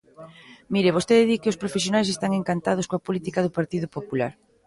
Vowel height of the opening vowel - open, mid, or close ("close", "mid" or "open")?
close